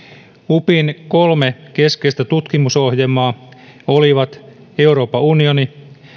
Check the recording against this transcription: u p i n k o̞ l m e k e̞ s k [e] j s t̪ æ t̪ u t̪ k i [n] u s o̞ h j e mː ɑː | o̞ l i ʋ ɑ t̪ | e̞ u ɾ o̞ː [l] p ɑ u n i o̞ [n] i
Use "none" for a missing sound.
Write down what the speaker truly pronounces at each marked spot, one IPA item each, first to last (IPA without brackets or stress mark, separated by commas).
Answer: e, m, none, n